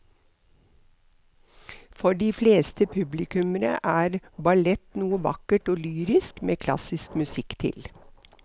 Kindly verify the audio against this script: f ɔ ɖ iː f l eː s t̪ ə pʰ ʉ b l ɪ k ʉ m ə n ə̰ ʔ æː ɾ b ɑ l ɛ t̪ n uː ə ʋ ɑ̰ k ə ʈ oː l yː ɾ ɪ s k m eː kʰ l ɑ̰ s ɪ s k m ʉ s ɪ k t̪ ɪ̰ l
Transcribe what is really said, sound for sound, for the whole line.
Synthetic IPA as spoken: f ɔ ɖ iː f l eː s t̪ ə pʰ ʉ b l ɪ k ʉ m ə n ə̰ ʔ æː ɾ b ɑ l ɛ t̪ n uː ə ʋ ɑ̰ k ə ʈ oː l yː ɾ ɪ s k m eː kʰ l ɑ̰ s ɪ s k m ʉ s ɪ k t̪ʰ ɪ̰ l

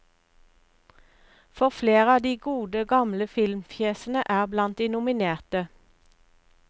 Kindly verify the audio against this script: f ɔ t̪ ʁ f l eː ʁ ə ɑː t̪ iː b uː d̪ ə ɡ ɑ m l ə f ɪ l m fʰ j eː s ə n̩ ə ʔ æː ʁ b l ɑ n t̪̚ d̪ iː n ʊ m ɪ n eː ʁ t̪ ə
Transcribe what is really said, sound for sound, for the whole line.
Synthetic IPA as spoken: f ɔ ʁ f l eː ʁ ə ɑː d̪ iː ɡ uː d̪ ə ɡ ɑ m l ə f ɪ l m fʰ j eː s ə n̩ ə ʔ æː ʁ b l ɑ n t̪̚ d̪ iː n ʊ m ɪ n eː ʁ t̪ ə

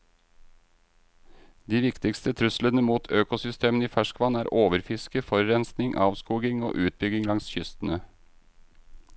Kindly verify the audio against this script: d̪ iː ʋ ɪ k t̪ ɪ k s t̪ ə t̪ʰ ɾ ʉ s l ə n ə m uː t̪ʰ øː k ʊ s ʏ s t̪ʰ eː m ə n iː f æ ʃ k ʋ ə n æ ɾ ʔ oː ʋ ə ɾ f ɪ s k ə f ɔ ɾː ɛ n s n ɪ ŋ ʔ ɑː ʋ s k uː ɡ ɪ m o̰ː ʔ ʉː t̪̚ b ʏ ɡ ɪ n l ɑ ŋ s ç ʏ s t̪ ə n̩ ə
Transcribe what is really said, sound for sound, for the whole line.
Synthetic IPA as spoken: d̪ iː ʋ ɪ k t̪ ɪ k s t̪ ə t̪ʰ ɾ ʉ s l ə n ə m uː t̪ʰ øː k ʊ s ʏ s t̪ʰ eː m ə n iː f æ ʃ k ʋ ɑ n æː ɾ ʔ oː ʋ ə ɾ f ɪ s k ə f ɔ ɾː ɛ n s n ɪ ŋ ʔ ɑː ʋ s k uː ɡ ɪ ŋ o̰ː ʔ ʉː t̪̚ b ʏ ɡ ɪ ŋ l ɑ ŋ s ç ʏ s t̪ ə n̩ ə

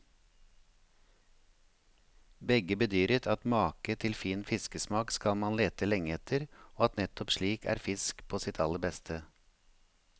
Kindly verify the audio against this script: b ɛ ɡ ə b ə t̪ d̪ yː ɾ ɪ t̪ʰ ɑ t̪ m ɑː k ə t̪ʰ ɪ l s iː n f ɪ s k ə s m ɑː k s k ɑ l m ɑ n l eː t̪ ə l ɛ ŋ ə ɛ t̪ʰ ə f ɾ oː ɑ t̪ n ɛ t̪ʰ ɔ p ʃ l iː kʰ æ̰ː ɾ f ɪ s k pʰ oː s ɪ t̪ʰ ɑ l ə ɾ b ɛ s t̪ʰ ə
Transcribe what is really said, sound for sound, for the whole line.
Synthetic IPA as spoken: b ɛ ɡ ə b ə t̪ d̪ yː ɾ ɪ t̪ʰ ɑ t̪ m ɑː k ə t̪ʰ ɪ l f iː n f ɪ s k ə s m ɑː k s k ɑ l m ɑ n l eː t̪ ə l ɛ ŋ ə ɛ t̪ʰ ə ɾ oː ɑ t̪ n ɛ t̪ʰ ɔ p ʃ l iː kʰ æ̰ː ɾ f ɪ s k pʰ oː s ɪ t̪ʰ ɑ l ə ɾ b ɛ s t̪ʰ ə

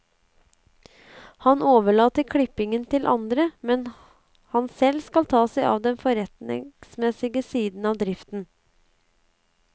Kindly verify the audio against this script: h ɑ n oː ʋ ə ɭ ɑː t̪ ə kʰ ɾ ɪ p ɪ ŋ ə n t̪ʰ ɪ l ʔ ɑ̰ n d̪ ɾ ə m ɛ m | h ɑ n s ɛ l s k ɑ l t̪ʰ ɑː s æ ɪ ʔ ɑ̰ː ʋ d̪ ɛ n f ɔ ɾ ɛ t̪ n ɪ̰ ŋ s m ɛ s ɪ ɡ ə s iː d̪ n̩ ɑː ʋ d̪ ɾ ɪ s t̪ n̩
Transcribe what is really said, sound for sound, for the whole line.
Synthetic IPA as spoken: h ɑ n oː ʋ ə ɭ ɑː t̪ ə kʰ ɽ ɪ p ɪ ŋ ə n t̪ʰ ɪ l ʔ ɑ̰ n d̪ ɾ ə m ɛ n | h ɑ n s ɛ l s k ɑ l t̪ʰ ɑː s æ ɪ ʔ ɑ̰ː ʋ d̪ ɛ n f ɔ ɾ ɛ t̪ n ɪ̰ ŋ s m ɛ s ɪ ɡ ə s iː d̪ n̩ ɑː ʋ d̪ ɾ ɪ f t̪ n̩

